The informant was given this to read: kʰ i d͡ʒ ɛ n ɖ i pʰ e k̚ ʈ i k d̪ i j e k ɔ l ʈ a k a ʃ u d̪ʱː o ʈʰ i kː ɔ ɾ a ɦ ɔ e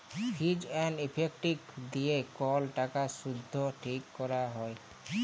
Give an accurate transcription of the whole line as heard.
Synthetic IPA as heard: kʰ i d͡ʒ ɛ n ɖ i pʰ e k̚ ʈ i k d̪ i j e k ɔ l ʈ a k a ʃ u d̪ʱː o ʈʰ i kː ɔ ɾ a ɦ ɔ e